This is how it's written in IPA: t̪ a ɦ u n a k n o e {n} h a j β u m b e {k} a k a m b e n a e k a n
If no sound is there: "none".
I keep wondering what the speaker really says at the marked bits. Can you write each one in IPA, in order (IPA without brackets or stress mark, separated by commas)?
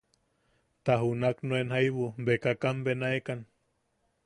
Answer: n, k